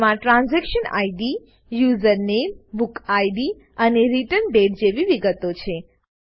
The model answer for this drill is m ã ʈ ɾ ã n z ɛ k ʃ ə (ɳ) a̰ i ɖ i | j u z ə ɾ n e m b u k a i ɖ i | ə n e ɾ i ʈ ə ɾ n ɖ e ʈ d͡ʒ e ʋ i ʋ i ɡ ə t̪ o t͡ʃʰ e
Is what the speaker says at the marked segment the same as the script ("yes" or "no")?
no